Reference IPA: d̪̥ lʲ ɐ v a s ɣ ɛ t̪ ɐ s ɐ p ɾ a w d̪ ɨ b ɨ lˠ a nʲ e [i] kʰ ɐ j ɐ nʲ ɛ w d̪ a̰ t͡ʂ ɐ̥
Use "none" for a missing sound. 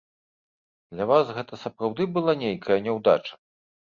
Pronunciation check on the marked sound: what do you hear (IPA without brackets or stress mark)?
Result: j